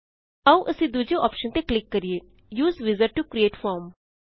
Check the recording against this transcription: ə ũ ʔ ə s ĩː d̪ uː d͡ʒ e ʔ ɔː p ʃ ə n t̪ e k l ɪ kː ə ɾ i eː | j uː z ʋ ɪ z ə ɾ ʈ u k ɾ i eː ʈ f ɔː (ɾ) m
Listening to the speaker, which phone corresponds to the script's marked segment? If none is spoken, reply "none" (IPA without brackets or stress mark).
ɾ